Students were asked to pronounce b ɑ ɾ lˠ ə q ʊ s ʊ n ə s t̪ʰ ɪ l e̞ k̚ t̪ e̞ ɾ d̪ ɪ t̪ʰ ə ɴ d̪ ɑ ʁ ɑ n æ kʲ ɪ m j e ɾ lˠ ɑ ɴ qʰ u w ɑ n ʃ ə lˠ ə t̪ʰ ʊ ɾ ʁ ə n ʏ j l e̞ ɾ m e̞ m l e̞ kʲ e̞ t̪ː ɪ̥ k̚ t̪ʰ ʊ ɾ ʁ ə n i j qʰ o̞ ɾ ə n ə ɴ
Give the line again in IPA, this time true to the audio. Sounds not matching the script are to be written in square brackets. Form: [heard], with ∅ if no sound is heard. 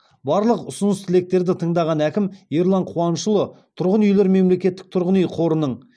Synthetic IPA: b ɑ ɾ lˠ ə q ʊ s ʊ n ə s t̪ʰ ɪ l e̞ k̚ t̪ e̞ ɾ d̪ ɪ t̪ʰ ə ɴ d̪ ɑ ʁ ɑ n æ kʲ ɪ m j e ɾ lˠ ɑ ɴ qʰ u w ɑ n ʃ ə lˠ ə t̪ʰ ʊ ɾ ʁ ə n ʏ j l e̞ ɾ m e̞ m l e̞ kʲ e̞ t̪ː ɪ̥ k̚ t̪ʰ ʊ ɾ ʁ ə n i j qʰ o̞ ɾ ə n ə ɴ